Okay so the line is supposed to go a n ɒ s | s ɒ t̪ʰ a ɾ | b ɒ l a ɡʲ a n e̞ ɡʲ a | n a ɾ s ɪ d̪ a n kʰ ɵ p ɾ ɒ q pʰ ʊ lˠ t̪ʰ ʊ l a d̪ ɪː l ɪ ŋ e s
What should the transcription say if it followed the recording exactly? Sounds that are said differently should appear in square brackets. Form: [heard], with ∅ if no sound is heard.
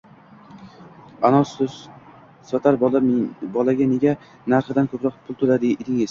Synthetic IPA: a n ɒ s | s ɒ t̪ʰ a ɾ | b ɒ l a ɡʲ a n e̞ ɡʲ a | n a ɾ [χ] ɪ d̪ a n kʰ ɵ p ɾ ɒ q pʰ ʊ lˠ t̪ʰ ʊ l a d̪ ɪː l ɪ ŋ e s